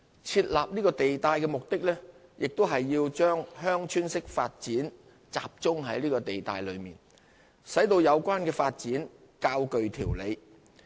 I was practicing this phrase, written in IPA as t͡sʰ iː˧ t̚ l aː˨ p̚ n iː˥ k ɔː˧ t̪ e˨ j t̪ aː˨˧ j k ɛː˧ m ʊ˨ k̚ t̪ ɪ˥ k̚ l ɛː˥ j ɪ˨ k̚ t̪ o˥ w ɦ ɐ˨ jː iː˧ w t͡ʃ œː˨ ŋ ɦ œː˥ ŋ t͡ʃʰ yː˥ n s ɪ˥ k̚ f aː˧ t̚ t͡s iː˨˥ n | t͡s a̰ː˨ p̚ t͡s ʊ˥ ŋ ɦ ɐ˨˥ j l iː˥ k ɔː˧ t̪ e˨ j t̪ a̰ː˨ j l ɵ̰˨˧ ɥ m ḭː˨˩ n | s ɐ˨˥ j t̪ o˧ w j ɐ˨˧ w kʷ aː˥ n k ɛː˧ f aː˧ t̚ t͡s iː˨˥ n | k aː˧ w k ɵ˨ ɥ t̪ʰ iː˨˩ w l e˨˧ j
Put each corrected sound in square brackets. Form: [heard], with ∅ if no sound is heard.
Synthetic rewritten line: t͡sʰ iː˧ t̚ l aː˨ p̚ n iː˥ k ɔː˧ t̪ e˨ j t̪ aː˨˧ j k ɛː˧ m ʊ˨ k̚ t̪ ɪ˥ k̚ l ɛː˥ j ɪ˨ k̚ t̪ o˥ w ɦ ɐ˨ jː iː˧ w t͡ʃ [œː˥] ŋ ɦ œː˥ ŋ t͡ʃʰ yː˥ n s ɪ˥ k̚ f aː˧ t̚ t͡s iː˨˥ n | t͡s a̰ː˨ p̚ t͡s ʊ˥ ŋ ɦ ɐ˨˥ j l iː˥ k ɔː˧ t̪ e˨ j t̪ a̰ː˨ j l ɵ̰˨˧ ɥ m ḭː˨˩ n | s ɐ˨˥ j t̪ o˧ w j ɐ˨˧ w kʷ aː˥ n k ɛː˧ f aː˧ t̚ t͡s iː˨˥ n | k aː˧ w k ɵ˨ ɥ t̪ʰ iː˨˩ w l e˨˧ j

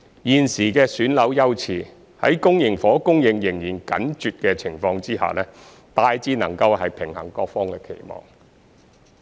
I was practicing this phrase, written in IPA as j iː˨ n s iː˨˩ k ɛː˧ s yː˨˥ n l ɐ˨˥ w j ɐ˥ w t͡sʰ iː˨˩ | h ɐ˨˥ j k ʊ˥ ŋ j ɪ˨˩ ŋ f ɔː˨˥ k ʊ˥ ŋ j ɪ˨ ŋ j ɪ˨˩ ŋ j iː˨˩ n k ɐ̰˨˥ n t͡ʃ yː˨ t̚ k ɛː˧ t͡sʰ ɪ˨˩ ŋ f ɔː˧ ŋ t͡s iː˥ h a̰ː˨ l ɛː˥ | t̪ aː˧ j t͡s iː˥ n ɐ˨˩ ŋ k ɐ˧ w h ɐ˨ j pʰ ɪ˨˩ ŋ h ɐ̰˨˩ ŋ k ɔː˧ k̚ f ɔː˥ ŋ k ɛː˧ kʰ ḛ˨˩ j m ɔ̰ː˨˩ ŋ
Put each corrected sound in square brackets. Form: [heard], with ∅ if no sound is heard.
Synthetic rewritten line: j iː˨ n s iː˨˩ k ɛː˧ s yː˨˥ n l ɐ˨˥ w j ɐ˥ w t͡sʰ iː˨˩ | h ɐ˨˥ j k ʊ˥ ŋ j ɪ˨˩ ŋ f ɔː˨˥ k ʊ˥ ŋ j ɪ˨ ŋ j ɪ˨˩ ŋ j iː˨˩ n k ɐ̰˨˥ n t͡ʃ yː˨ t̚ k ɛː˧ t͡sʰ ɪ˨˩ ŋ f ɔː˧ ŋ t͡s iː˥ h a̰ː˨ l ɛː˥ | t̪ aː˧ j t͡s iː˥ n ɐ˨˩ ŋ k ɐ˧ w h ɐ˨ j pʰ ɪ˨˩ ŋ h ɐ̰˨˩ ŋ k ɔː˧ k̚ f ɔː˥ ŋ k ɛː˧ kʰ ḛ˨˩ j m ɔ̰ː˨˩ ŋ

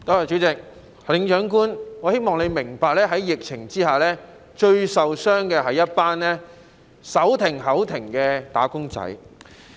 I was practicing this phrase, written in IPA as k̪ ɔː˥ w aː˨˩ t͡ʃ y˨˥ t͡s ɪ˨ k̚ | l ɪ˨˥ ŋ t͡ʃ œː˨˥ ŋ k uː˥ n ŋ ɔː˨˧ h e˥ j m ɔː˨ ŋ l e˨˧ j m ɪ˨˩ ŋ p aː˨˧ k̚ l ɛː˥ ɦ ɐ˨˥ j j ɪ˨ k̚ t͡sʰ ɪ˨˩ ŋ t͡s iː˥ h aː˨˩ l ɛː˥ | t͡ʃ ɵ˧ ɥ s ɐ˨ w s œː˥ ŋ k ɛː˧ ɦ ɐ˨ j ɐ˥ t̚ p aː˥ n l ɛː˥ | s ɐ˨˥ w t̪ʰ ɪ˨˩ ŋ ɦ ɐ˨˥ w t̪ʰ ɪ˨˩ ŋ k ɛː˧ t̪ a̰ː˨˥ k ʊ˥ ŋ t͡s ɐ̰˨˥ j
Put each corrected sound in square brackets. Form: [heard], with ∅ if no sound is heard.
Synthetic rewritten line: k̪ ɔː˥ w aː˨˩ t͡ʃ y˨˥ t͡s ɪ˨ k̚ | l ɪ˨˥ ŋ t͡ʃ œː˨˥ ŋ k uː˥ n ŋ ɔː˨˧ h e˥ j m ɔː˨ ŋ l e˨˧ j m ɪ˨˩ ŋ p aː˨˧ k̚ l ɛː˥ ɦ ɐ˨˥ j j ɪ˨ k̚ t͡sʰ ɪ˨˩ ŋ t͡s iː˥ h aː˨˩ l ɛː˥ | t͡ʃ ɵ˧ ɥ s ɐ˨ w s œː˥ ŋ k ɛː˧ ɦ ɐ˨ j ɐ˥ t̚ p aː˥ n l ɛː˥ | s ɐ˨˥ w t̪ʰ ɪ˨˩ ŋ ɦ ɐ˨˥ w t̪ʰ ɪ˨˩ ŋ k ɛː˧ t̪ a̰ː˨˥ k ʊ˥ ŋ t͡s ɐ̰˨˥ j

